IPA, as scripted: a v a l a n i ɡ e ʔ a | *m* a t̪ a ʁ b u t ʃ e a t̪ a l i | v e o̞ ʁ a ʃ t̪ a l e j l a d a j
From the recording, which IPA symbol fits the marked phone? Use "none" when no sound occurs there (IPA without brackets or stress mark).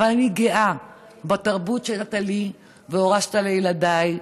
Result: b